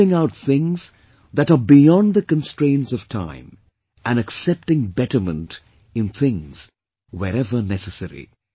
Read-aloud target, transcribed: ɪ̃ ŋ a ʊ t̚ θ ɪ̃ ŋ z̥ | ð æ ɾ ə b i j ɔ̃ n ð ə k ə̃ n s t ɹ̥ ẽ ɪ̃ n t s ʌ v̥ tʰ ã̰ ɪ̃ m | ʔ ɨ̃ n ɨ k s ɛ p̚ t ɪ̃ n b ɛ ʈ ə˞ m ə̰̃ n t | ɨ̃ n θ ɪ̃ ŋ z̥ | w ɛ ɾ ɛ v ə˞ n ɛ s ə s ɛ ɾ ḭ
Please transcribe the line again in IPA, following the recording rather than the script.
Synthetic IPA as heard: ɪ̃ ŋ a ʊ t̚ θ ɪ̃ ŋ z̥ | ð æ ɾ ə b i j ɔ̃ n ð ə k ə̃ n s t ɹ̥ ẽ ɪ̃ n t s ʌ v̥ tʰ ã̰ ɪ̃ m | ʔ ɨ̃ n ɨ k s ɛ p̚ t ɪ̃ ŋ b ɛ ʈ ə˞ m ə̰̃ n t | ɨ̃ n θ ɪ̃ ŋ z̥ | w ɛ ɾ ɛ v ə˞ n ɛ s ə s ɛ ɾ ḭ